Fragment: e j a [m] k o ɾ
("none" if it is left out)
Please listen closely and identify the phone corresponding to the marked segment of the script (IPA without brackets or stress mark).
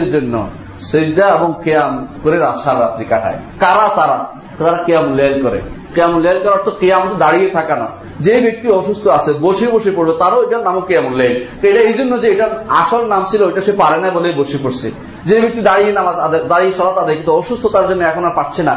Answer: m